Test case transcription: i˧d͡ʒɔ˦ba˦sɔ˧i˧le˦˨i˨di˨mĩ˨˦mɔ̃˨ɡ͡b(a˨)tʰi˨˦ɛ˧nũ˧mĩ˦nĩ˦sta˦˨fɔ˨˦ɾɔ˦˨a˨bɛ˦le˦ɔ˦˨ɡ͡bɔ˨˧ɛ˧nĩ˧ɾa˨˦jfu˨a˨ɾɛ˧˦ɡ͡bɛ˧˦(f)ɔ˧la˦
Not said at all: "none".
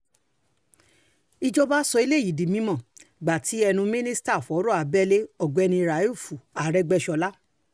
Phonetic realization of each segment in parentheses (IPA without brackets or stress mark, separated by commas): a˨, ʃ